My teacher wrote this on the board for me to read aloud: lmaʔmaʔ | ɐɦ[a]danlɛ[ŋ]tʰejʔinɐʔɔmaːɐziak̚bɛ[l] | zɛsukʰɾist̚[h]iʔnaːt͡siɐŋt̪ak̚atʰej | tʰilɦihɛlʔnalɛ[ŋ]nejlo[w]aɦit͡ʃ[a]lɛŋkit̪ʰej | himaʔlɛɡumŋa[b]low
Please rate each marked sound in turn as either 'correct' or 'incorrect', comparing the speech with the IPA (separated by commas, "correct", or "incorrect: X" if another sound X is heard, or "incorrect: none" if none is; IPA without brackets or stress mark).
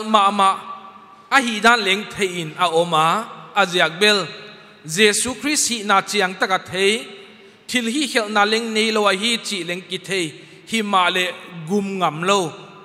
incorrect: i, correct, correct, correct, correct, correct, incorrect: i, incorrect: m